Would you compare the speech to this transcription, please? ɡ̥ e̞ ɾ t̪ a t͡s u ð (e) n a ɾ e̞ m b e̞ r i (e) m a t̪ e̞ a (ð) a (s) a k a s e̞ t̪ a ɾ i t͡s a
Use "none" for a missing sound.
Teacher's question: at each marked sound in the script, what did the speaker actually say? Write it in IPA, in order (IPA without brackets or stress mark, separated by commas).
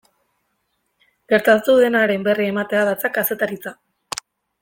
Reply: e, e, ð, t͡s